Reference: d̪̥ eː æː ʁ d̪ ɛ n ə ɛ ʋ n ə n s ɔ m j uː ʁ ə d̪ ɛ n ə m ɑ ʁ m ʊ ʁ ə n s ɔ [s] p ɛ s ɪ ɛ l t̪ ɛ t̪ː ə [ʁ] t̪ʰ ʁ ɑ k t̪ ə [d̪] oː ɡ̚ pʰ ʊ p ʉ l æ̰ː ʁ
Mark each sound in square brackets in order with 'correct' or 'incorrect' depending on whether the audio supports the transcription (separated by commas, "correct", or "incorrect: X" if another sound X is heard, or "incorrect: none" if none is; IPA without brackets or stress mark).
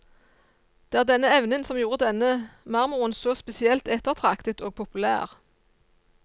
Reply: correct, correct, incorrect: t̪